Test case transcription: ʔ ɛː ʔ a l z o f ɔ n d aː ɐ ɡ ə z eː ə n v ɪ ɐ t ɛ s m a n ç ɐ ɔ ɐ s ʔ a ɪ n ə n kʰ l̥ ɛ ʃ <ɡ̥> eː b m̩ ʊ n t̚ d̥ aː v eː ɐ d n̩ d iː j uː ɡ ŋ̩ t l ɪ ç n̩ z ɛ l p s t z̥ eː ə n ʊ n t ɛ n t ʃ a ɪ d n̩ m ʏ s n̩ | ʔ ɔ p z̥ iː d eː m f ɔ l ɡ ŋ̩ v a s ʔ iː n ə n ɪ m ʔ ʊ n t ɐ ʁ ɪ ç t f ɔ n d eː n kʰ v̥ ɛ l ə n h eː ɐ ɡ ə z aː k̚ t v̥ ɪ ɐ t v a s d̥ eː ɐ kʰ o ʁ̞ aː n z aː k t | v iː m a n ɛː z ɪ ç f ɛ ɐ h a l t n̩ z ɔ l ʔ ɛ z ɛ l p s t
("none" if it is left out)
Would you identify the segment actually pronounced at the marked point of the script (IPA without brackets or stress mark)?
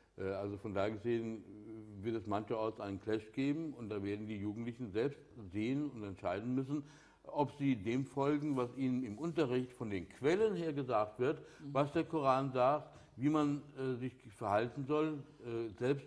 ɡ̥